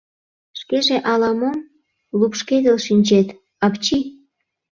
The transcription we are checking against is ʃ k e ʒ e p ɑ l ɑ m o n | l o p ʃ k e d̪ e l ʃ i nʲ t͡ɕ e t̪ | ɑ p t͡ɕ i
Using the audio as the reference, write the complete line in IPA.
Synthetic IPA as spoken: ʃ k e ʒ e ʔ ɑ l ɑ m o m | l u p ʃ k e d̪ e l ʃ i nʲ t͡ɕ e t̪ | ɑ p t͡ɕ i

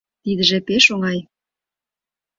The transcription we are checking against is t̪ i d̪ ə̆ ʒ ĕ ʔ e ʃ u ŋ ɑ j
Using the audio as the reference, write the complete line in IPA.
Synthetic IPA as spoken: t̪ i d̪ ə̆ ʒ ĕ p e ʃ o ŋ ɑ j

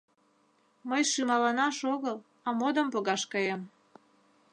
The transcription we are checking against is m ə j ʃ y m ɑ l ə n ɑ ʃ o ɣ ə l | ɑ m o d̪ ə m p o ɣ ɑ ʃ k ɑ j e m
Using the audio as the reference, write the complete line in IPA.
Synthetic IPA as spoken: m ə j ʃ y m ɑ l ɑ n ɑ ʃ o ɣ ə l | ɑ m o d̪ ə m p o ɣ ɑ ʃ k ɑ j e m

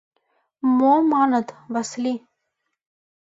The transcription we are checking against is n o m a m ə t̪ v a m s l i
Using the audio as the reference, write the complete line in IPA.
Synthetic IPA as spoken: m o m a n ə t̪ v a s l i

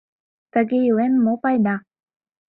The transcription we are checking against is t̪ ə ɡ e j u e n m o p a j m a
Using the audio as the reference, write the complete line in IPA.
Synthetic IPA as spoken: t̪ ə ɡ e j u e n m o p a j n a

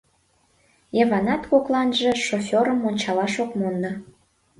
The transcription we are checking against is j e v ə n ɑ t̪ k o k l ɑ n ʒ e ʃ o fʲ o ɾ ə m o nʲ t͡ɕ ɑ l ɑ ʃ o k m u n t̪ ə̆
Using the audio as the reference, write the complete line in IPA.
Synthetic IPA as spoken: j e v ɑ n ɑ t̪ k o k l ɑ n ʒ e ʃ o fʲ o ɾ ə m o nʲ t͡ɕ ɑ l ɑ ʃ o k m o n d̪ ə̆

